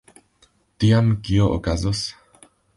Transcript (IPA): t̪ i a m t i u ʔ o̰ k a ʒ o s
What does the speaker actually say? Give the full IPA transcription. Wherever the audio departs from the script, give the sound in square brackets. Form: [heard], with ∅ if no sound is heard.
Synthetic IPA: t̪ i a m [k] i [o] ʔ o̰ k a [z] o s